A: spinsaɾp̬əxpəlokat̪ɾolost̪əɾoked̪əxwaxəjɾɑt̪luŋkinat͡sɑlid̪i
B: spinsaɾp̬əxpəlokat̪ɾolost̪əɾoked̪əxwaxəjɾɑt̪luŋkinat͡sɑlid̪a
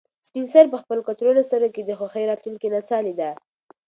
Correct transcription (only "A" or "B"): B